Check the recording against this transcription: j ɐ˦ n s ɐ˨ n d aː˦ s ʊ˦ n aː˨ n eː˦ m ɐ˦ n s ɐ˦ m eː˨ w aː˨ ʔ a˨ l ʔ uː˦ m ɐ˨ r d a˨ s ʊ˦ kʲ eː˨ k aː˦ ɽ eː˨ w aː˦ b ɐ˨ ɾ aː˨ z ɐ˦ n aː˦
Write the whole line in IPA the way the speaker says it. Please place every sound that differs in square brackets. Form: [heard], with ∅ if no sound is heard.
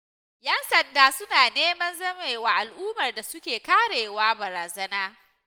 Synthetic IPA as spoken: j ɐ˦ n s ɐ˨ n d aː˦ s ʊ˦ n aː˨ n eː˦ m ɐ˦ n [z] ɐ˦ m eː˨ w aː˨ ʔ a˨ l ʔ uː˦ m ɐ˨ r d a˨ s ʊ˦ kʲ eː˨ k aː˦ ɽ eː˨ w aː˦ b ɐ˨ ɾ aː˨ z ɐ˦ n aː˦